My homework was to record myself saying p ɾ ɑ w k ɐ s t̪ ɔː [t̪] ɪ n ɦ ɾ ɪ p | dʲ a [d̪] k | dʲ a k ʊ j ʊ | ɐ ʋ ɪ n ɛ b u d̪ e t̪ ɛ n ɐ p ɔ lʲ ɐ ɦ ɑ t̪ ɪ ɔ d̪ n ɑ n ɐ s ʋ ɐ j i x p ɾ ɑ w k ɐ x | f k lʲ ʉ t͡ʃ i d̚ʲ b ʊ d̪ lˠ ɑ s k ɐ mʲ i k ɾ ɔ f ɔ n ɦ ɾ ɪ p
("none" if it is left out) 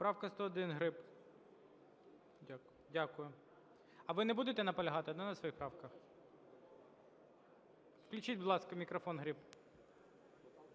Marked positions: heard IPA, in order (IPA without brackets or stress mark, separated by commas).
d̪, none